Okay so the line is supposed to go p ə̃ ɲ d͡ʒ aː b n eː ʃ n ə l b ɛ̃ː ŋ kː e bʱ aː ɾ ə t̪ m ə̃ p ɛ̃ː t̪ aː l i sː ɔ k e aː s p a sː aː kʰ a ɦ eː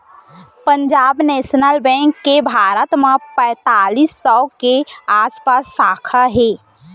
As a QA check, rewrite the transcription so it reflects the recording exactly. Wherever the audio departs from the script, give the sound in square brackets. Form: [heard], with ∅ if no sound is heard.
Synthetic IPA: p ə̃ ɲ d͡ʒ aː b n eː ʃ n ə l b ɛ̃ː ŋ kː e bʱ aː ɾ ə t̪ m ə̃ p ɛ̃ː t̪ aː l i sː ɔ k e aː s p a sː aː kʰ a ɦ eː

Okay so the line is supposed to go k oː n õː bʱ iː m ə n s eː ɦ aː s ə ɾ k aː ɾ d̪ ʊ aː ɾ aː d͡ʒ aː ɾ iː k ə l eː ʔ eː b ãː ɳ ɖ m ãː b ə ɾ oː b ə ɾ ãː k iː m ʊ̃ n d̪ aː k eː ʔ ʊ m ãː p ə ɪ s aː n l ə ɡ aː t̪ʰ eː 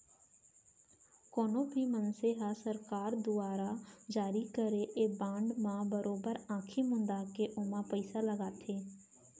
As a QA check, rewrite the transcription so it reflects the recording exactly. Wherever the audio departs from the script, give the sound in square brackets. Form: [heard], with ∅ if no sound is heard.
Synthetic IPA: k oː n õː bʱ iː m ə n s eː ɦ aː s ə ɾ k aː ɾ d̪ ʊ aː ɾ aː d͡ʒ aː ɾ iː k ə [ɾ] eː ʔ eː b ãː ɳ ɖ m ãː b ə ɾ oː b ə ɾ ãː [kʰ] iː m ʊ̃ n d̪ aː k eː ʔ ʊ m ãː p ə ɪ s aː [∅] l ə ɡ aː t̪ʰ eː

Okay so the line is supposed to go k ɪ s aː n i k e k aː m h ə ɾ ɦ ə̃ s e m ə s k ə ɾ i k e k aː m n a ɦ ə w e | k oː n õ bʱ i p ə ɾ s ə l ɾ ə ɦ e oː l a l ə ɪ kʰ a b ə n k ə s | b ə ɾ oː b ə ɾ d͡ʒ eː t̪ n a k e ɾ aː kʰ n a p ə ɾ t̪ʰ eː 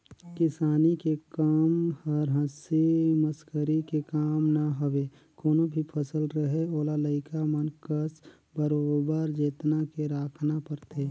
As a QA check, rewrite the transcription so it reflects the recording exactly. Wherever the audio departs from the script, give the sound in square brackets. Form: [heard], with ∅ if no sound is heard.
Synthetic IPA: k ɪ s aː n i k e k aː m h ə ɾ ɦ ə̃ s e m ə s k ə ɾ i k e k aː m n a ɦ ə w e | k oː n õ bʱ i [pʰ] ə [∅] s ə l ɾ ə ɦ e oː l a l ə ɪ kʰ a [m] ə n k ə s | b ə ɾ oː b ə ɾ d͡ʒ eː t̪ n a k e ɾ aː kʰ n a p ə ɾ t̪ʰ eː

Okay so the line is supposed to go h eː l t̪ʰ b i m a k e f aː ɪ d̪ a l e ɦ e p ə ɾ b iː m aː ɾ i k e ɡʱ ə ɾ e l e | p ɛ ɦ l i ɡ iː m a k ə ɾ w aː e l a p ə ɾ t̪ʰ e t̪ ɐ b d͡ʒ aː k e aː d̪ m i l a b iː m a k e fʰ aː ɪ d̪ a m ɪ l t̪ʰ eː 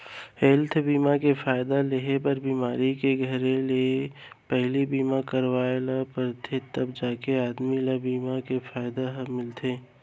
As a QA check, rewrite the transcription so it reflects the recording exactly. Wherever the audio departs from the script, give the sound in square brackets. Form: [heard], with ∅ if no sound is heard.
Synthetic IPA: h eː l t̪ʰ b [iː] m a k e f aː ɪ d̪ a l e ɦ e p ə ɾ b iː m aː ɾ i k e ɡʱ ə ɾ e l e | p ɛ ɦ l i [b] iː m a k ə ɾ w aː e l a p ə ɾ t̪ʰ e t̪ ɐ b d͡ʒ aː k e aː d̪ m i l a b iː m a k e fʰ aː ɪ d̪ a m ɪ l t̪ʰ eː

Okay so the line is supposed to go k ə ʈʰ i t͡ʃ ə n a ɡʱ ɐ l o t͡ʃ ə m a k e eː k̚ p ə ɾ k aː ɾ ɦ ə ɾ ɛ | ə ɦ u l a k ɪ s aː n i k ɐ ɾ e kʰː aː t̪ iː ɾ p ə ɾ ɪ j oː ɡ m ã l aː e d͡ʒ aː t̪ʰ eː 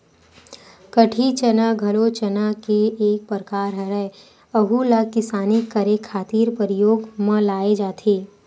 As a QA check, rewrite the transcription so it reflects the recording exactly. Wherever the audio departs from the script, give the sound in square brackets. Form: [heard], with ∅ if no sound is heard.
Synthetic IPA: k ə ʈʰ i t͡ʃ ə n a ɡʱ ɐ l o t͡ʃ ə [n] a k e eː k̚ p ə ɾ k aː ɾ ɦ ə ɾ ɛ | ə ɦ u l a k ɪ s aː n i k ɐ ɾ e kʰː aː t̪ iː ɾ p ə ɾ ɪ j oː ɡ m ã l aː e d͡ʒ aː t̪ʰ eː

